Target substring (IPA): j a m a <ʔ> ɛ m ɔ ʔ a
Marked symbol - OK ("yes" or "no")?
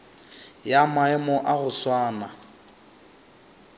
no